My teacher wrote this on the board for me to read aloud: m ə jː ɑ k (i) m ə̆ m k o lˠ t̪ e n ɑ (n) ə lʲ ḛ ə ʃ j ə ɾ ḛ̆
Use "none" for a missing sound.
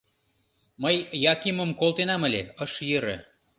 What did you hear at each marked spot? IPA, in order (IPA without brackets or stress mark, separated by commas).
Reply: i, m